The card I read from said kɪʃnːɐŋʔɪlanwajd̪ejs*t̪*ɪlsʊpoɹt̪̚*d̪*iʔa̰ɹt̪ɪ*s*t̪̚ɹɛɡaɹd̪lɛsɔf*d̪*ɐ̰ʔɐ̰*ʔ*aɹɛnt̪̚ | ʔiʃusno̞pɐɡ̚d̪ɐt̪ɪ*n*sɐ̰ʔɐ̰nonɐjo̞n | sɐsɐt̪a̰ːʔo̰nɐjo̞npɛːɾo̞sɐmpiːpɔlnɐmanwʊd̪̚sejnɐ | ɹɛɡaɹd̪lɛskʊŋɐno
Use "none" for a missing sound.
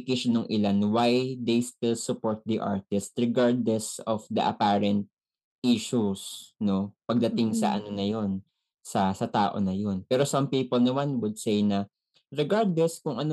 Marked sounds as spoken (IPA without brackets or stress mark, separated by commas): t̪, d̪, s, d̪, p, ŋ